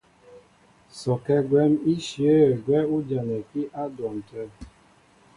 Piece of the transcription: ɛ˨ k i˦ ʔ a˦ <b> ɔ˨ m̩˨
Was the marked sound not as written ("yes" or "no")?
yes